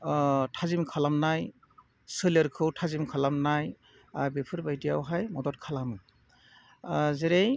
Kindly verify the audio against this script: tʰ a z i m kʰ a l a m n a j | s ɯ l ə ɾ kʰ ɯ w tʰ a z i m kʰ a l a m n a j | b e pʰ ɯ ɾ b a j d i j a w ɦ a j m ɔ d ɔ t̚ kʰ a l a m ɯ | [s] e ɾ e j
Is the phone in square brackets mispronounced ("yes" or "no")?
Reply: yes